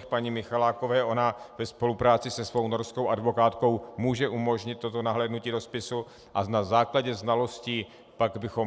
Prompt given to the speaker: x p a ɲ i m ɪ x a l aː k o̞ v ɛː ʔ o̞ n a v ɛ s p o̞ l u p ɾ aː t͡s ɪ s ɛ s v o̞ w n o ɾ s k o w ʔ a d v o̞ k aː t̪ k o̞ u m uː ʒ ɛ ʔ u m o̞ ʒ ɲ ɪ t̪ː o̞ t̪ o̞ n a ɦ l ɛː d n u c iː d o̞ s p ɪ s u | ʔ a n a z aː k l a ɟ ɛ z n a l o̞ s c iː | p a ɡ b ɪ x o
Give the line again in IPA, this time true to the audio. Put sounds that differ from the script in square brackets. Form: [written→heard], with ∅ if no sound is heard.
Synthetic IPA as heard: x p a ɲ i m ɪ x a l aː k o̞ v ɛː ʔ o̞ n a v ɛ s p o̞ l u p ɾ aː t͡s ɪ s ɛ s v o̞ w n o ɾ s k o w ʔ a d v o̞ k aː t̪ k o̞ [u→w] m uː ʒ ɛ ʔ u m o̞ ʒ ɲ ɪ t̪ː o̞ t̪ o̞ n a ɦ l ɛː d n u c iː d o̞ s p ɪ s u | ʔ a n a z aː k l a ɟ ɛ z n a l o̞ s c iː | p a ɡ b ɪ x o